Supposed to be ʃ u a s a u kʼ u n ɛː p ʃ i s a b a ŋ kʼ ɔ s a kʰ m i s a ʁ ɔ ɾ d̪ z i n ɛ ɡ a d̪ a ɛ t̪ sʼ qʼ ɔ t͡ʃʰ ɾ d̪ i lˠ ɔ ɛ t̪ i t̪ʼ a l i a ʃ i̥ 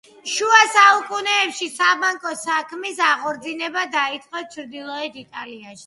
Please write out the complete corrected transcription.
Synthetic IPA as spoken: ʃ u a s a u kʼ u n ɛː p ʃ i s a b a ŋ kʼ ɔ s a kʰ m i s a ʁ ɔ ɾ d̪ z i n ɛ b a d̪ a i t̪ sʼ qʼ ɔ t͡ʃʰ ɾ d̪ i lˠ ɔ ɛ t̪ i t̪ʼ a l i a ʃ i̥

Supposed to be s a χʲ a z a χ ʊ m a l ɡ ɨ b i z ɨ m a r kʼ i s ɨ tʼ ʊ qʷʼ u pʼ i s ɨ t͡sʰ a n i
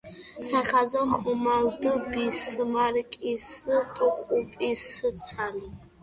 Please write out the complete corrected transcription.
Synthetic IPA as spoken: s a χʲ a z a χ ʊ m a l d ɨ b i s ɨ m a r kʼ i s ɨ tʼ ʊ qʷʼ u pʼ i s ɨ t͡sʰ a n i

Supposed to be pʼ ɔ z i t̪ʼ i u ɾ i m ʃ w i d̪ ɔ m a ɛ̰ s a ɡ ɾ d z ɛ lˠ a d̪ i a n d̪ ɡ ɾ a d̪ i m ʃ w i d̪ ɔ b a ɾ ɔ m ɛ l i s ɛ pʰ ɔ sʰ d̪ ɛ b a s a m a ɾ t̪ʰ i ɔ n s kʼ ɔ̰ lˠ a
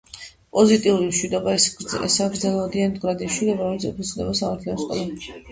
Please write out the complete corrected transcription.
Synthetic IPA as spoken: pʼ ɔ z i t̪ʼ i u ɾ i m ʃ w i d̪ ɔ b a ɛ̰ s a ɡ ɾ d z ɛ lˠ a d̪ i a n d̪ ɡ ɾ a d̪ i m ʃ w i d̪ ɔ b a ɾ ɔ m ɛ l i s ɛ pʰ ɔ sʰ d̪ ɛ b a s a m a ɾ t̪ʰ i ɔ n s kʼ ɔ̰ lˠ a

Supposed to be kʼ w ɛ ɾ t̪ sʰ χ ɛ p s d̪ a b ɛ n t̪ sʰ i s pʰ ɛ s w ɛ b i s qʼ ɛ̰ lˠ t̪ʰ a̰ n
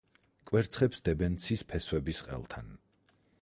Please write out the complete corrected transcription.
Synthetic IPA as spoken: kʼ w ɛ ɾ t̪ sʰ χ ɛ p s d̪ ɛ b ɛ n t̪ sʰ i s pʰ ɛ s w ɛ b i s qʼ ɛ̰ lˠ t̪ʰ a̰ n

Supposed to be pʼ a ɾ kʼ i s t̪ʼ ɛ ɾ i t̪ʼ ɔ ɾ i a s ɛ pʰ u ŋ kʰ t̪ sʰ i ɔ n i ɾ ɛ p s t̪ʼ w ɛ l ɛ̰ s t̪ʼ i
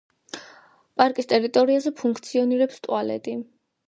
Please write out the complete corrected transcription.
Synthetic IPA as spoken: pʼ a ɾ kʼ i s t̪ʼ ɛ ɾ i t̪ʼ ɔ ɾ i a z ɛ pʰ u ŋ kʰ t̪ sʰ i ɔ n i ɾ ɛ p s t̪ʼ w a l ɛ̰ t̪ʼ i

